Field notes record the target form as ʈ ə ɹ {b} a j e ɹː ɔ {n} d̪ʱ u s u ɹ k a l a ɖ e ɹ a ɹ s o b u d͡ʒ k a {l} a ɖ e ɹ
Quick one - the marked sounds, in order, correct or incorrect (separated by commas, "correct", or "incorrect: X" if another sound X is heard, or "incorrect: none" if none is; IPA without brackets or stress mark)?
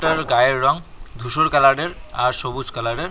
incorrect: ɡ, incorrect: ŋ, correct